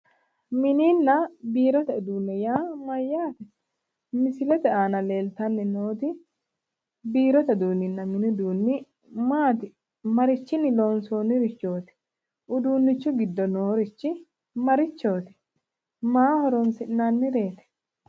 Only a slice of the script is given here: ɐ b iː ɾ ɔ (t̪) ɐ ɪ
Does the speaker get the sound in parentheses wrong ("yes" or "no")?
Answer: no